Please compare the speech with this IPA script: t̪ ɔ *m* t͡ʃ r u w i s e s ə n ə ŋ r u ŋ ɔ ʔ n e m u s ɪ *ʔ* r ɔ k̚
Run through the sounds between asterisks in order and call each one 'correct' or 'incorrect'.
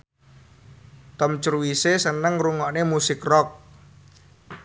correct, incorrect: k

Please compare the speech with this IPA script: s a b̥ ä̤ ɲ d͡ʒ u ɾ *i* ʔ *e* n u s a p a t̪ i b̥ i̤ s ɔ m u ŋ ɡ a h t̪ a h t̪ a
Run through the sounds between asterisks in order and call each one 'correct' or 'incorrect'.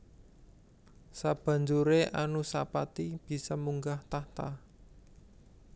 incorrect: e, incorrect: a

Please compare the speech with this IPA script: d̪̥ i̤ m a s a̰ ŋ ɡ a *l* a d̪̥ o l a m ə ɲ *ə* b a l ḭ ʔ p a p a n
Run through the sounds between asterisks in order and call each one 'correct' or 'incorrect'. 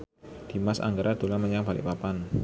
incorrect: ɾ, incorrect: a

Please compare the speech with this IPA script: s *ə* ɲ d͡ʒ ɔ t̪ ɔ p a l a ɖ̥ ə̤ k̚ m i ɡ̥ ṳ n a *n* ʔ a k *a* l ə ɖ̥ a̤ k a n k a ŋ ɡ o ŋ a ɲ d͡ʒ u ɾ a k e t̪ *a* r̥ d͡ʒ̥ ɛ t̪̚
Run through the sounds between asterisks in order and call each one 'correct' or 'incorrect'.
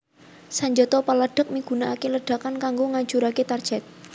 incorrect: a, incorrect: none, incorrect: e, correct

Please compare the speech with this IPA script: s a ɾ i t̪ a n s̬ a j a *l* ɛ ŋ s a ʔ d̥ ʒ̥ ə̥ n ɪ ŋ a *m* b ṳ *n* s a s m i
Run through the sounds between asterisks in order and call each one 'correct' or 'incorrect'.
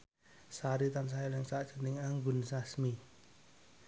correct, incorrect: ŋ, correct

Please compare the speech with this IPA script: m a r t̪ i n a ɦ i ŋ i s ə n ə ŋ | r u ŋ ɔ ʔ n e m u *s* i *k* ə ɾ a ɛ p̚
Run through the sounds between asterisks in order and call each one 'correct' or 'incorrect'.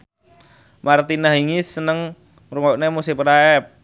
correct, incorrect: p

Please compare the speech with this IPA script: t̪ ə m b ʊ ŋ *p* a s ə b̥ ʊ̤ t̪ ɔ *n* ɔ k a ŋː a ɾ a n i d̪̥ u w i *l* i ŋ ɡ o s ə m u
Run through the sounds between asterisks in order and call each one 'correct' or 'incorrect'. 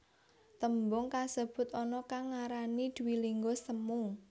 incorrect: k, correct, correct

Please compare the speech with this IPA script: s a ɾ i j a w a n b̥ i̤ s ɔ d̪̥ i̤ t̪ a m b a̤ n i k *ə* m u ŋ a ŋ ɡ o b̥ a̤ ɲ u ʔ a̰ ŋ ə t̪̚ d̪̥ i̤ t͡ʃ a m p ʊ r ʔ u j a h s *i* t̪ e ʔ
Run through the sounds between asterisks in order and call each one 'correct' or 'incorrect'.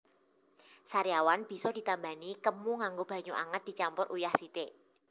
correct, correct

